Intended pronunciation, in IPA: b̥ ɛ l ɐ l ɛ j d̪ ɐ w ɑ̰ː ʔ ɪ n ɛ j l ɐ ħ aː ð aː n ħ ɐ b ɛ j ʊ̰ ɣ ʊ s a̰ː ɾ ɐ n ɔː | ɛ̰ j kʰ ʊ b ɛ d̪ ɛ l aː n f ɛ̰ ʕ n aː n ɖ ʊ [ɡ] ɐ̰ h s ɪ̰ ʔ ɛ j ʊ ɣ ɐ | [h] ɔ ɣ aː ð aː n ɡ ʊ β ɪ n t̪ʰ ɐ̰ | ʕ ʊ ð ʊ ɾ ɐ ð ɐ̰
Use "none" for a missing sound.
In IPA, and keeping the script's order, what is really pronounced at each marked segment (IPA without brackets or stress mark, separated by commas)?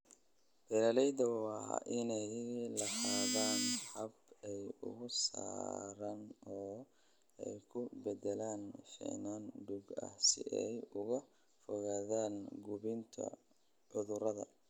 ɡ, f